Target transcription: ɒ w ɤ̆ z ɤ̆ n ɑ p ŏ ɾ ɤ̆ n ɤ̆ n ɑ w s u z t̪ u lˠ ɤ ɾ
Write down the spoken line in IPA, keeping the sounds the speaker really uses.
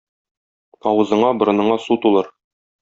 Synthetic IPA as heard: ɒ w ɤ̆ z ɤ̆ ɴ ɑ b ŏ ɾ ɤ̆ n ɤ̆ ɴ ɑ s u t̪ u lˠ ɤ ɾ